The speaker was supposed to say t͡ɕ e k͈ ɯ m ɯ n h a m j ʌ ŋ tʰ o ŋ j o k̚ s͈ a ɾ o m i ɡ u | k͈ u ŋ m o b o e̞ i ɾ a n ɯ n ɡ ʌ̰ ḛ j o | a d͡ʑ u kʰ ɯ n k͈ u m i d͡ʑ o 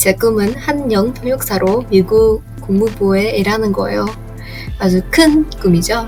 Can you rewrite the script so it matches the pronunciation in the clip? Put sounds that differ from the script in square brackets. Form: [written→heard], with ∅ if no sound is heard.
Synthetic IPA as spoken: t͡ɕ e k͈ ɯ m ɯ n h a [m→n] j ʌ ŋ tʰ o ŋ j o k̚ s͈ a ɾ o m i ɡ u | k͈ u ŋ m [o→u] b o e̞ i ɾ a n ɯ n ɡ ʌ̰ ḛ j o | a d͡ʑ u kʰ ɯ n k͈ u m i d͡ʑ o